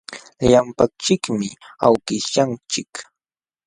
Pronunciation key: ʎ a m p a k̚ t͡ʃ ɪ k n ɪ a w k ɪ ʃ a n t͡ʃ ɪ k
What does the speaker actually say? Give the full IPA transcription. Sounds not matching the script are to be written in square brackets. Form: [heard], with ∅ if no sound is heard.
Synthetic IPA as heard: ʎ a m p a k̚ t͡ʃ ɪ k [m] ɪ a w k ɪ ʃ a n t͡ʃ ɪ k